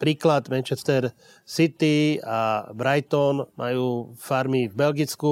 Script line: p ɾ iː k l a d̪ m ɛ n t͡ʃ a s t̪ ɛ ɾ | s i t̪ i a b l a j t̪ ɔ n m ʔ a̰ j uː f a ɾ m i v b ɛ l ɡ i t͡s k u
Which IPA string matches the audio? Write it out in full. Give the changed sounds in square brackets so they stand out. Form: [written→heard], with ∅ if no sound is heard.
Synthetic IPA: p ɾ iː k l a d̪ m ɛ n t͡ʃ [a→ɛ] s t̪ ɛ ɾ | s i t̪ i a b [l→ɾ] a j t̪ ɔ n m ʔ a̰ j uː f a ɾ m i v b ɛ l ɡ i t͡s k u